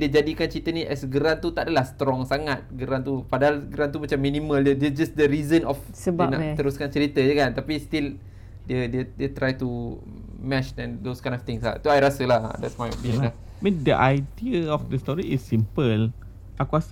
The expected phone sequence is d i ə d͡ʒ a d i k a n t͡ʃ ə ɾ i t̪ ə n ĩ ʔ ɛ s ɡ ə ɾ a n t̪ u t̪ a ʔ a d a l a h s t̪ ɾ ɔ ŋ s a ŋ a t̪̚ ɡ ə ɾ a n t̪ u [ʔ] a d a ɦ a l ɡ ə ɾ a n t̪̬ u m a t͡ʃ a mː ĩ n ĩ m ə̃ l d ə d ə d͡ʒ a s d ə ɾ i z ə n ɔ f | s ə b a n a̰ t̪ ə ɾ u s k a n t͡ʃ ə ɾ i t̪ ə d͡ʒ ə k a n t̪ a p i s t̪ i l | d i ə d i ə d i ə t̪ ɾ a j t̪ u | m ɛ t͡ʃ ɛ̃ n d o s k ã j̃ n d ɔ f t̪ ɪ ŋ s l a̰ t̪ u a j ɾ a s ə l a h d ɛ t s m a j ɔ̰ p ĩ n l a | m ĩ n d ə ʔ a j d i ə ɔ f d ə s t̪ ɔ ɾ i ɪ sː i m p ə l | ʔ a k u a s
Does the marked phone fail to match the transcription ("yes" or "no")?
yes